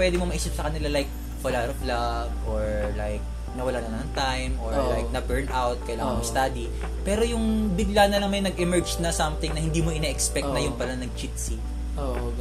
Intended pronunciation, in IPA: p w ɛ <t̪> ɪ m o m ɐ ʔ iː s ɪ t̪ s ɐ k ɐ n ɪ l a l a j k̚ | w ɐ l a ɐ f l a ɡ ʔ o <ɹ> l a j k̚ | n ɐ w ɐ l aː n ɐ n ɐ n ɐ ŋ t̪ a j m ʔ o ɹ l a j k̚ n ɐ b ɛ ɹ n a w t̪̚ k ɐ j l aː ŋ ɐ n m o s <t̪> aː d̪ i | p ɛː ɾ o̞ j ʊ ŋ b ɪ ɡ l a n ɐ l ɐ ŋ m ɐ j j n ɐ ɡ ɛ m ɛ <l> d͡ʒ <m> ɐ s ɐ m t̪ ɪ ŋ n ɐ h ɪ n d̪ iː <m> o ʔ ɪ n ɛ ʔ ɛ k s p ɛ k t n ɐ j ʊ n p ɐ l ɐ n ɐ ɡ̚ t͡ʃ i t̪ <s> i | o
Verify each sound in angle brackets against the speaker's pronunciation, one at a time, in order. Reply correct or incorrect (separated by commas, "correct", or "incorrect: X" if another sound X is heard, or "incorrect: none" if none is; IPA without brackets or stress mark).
incorrect: d̪, correct, correct, incorrect: ɹ, incorrect: n, correct, correct